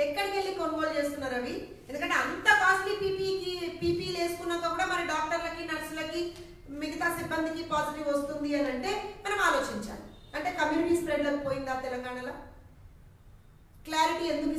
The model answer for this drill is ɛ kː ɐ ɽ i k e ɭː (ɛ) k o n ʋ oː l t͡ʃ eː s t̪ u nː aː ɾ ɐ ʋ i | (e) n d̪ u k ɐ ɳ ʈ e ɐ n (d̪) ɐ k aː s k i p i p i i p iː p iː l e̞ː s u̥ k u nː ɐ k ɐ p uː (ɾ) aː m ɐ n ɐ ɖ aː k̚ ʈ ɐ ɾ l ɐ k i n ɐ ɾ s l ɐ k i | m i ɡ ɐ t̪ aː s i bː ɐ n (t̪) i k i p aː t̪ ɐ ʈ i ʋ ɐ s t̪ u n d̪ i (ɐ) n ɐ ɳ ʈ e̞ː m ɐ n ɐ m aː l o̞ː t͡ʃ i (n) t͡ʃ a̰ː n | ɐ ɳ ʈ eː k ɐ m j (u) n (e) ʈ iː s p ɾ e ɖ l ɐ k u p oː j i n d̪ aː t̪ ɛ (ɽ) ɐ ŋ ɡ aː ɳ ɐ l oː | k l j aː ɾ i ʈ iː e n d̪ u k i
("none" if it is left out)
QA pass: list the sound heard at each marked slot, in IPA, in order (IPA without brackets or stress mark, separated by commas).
i, e, t̪, ɽ, d̪, ɐ, ɲ, uː, i, l